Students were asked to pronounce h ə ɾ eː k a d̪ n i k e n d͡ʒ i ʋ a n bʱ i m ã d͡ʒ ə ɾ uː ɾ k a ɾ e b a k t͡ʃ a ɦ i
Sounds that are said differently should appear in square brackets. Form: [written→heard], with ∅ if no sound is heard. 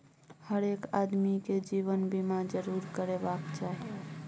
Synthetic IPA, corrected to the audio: h ə ɾ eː k a d̪ [n→m] i k e [n→∅] d͡ʒ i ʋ [a→ə] n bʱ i m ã d͡ʒ ə ɾ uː ɾ k [a→ə] ɾ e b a k t͡ʃ a ɦ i

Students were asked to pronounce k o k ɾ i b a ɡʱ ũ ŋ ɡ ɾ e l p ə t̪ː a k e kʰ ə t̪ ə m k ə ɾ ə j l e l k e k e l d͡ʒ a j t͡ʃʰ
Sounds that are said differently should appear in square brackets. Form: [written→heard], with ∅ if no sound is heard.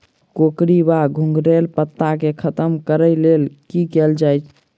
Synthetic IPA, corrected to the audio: k o k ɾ i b a ɡʱ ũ ŋ ɡ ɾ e l p ə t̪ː a k e kʰ ə t̪ ə m k ə ɾ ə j l e l k [e→i] k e l d͡ʒ a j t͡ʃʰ

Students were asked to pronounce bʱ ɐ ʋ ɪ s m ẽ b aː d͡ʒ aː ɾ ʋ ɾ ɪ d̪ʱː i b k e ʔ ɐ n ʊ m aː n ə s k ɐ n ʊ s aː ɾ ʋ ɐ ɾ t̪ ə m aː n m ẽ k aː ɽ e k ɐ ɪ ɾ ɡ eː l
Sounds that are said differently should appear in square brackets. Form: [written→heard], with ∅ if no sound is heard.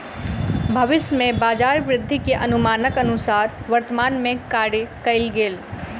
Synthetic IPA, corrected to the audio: bʱ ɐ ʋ ɪ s m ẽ b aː d͡ʒ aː ɾ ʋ ɾ ɪ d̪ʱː i [b→∅] k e ʔ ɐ n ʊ m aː n ə [s→∅] k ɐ n ʊ s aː ɾ ʋ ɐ ɾ t̪ ə m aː n m ẽ k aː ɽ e k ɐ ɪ [ɾ→l] ɡ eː l

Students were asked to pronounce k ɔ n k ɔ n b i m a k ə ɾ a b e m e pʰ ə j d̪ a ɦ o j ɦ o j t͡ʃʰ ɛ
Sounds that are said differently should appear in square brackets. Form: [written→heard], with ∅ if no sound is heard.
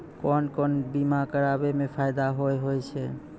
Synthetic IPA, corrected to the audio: k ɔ n k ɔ n b i m a k ə ɾ a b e m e pʰ [ə→a] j d̪ a ɦ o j ɦ o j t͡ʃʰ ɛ

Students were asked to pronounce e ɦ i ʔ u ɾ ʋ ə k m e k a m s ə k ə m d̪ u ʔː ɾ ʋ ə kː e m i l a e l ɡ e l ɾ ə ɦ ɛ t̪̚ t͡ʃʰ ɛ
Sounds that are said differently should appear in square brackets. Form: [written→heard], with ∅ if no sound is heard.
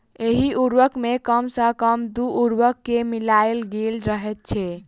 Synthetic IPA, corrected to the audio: e ɦ i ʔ u ɾ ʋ ə k m e k [a→ə] m s ə k ə m d̪ u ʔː ɾ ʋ ə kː e m i l a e l ɡ e l ɾ ə ɦ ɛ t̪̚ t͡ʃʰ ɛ

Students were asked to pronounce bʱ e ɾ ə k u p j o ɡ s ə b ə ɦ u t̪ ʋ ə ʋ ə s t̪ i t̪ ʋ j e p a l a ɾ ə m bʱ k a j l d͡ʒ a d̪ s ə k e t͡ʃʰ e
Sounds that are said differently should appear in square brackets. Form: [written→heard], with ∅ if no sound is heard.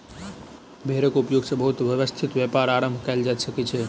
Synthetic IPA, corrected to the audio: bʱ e ɾ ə k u p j o ɡ s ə b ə ɦ u t̪ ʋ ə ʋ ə s [t̪→t̪ʰ] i t̪ ʋ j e p a [l→ɾ] a ɾ ə m bʱ k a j l d͡ʒ a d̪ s ə k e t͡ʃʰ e

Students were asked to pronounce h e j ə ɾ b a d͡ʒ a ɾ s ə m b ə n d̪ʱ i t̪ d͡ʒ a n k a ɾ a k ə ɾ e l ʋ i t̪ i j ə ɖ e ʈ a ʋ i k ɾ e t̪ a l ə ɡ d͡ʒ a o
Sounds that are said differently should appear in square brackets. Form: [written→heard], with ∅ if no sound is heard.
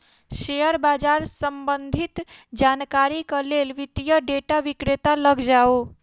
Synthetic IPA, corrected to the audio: [h→ʃ] e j ə ɾ b a d͡ʒ a ɾ s ə m b ə n d̪ʱ i t̪ d͡ʒ a n k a ɾ [a→i] k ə [ɾ→l] e l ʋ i t̪ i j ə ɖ e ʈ a ʋ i k ɾ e t̪ a l ə ɡ d͡ʒ a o

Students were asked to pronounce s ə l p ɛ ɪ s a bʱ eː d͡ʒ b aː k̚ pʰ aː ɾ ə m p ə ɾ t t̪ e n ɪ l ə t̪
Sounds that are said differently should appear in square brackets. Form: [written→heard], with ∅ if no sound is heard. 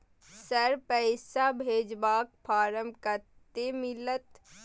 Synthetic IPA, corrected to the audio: s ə [l→ɾ] p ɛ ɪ s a bʱ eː d͡ʒ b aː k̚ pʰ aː ɾ ə m [p→k] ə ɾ t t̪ e [n→m] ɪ l ə t̪

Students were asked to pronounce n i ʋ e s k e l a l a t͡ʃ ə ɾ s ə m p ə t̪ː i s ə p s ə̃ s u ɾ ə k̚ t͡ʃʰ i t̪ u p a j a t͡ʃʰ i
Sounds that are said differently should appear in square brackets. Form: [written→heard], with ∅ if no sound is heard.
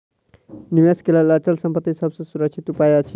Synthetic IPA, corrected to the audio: n i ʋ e s k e l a l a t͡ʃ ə [ɾ→l] s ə m p ə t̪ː i s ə [p→b] s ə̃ s u ɾ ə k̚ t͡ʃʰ i t̪ u p a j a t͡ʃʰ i

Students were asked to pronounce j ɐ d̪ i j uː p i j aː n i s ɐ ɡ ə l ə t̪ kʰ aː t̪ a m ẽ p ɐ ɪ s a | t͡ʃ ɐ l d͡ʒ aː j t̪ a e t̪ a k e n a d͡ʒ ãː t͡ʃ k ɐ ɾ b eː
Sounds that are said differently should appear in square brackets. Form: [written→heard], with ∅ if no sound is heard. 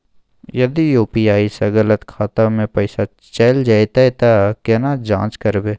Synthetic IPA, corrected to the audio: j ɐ d̪ i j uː p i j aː [n→∅] i s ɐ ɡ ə l ə t̪ kʰ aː t̪ a m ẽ p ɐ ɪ s a | t͡ʃ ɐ l d͡ʒ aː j t̪ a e t̪ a k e n a d͡ʒ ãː t͡ʃ k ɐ ɾ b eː

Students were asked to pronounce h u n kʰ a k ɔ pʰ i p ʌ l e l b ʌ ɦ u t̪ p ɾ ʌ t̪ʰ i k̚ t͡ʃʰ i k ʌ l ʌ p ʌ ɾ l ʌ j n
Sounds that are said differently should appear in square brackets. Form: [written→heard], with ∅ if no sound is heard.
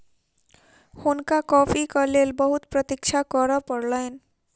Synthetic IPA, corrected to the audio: h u n [kʰ→k] a k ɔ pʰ i [p→k] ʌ l e l b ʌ ɦ u t̪ p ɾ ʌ [t̪ʰ→t̪] i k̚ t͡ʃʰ [i→a] k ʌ [l→ɾ] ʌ p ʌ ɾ l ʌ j n

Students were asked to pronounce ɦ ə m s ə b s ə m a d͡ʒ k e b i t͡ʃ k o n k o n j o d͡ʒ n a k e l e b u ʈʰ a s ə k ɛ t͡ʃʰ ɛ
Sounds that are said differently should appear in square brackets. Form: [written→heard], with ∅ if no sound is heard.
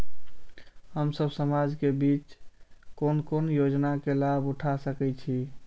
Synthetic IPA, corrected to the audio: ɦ ə m s ə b s ə m a d͡ʒ k e b i t͡ʃ k o n k o n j o d͡ʒ n a k e l [e→a] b u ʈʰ a s ə k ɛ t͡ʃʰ [ɛ→i]

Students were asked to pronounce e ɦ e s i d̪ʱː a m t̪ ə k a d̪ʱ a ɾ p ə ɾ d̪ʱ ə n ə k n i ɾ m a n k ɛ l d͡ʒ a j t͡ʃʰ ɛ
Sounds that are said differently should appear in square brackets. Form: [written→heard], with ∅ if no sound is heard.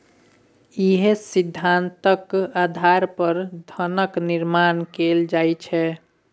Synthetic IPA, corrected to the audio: [e→i] ɦ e s i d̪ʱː a [m→n] t̪ ə k a d̪ʱ a ɾ p ə ɾ d̪ʱ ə n ə k n i ɾ m a n k [ɛ→e] l d͡ʒ a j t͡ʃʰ ɛ

